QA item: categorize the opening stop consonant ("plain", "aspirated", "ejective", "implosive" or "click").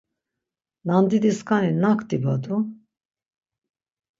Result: plain